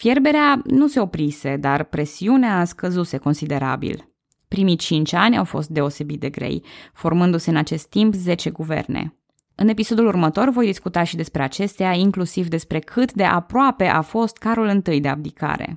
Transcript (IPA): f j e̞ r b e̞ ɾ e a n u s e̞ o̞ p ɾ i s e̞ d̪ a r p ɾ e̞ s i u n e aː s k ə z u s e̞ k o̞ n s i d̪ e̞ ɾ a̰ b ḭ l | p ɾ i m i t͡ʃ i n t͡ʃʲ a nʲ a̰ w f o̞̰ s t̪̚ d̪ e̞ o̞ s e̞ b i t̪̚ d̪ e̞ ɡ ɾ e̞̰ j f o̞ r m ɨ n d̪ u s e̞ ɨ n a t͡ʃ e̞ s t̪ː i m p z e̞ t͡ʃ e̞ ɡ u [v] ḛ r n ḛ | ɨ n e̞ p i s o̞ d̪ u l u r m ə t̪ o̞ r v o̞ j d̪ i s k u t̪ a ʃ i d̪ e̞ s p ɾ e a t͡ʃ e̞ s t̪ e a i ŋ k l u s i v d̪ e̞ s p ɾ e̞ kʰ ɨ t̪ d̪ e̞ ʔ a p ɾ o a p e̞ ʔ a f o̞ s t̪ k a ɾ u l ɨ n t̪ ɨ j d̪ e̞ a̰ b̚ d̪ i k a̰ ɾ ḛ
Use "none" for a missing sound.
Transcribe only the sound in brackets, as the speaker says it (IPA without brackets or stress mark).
v